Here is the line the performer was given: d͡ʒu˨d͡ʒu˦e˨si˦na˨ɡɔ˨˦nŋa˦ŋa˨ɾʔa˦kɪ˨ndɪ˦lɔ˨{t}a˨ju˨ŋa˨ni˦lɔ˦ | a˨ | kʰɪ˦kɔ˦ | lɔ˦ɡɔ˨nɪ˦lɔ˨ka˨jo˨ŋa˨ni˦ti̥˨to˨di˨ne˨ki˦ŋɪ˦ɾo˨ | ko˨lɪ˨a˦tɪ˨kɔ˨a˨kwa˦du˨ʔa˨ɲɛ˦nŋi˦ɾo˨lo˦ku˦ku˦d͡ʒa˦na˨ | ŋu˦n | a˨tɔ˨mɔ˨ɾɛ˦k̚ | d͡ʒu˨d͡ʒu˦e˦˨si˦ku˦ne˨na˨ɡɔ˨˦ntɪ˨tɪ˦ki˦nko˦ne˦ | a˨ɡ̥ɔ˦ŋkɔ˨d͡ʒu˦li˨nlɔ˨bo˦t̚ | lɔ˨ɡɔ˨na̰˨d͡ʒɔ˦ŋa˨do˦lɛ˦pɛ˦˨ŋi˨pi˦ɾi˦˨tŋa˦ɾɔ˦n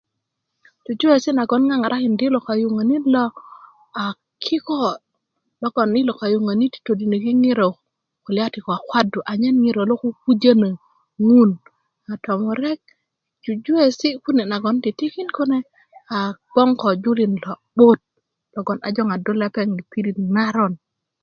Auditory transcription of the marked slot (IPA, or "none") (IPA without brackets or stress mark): k